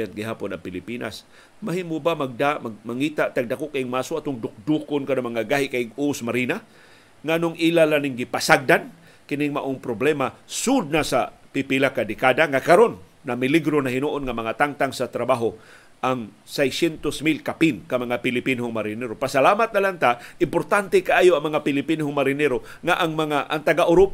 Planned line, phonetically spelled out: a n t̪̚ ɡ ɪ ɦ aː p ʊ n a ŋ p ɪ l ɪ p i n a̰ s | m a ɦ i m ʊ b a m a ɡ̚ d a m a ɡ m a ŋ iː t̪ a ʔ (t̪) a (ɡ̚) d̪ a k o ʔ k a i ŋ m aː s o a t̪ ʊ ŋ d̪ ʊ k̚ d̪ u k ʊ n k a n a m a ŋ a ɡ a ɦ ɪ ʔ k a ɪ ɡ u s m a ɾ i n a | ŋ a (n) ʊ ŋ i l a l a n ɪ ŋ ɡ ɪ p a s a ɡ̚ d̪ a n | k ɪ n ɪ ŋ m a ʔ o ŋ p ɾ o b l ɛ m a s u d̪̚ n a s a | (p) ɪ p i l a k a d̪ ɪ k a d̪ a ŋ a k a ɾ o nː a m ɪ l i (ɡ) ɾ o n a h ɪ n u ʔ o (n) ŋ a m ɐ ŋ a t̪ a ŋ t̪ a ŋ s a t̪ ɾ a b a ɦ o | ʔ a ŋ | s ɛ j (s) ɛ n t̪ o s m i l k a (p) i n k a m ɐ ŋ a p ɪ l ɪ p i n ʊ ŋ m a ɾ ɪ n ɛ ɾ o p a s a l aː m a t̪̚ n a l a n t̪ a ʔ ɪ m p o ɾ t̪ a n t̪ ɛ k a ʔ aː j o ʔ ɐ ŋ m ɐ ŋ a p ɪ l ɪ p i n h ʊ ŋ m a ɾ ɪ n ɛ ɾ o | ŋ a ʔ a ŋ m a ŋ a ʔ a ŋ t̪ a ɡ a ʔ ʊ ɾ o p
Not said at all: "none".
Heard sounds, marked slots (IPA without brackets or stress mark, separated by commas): t̪, ɡ̚, n, p, ɡ, n, s, p